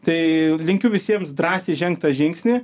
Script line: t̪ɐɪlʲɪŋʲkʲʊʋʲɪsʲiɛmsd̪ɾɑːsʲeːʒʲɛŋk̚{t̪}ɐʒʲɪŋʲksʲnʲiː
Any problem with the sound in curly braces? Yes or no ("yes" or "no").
no